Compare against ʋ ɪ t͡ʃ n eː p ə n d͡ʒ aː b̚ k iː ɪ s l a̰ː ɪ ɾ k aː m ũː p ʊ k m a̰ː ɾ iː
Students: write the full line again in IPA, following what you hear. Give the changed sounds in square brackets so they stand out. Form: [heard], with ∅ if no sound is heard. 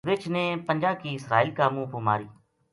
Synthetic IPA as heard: ʋ ɪ t͡ʃ n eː p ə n d͡ʒ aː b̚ k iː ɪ s [ɾ] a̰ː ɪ [l] k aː m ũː p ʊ [∅] m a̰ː ɾ iː